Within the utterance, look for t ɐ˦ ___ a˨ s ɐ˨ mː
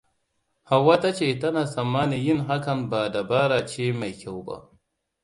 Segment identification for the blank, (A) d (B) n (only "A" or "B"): B